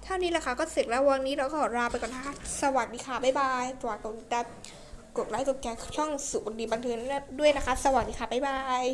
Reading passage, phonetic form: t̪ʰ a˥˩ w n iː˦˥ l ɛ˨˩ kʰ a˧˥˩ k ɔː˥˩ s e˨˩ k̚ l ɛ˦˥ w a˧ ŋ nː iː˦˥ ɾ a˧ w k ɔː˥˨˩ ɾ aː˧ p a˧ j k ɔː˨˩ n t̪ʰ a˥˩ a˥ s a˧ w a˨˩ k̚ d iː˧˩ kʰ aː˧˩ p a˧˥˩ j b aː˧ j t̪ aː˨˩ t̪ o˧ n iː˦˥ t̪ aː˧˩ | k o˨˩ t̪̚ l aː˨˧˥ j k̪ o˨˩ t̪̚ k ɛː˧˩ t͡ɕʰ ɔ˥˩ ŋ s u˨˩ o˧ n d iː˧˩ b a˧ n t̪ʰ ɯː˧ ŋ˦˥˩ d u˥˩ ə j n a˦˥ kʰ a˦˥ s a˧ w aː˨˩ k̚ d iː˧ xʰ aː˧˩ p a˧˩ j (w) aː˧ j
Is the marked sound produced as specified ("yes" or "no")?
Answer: no